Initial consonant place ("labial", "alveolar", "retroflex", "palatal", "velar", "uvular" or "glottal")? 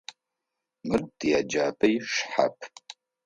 labial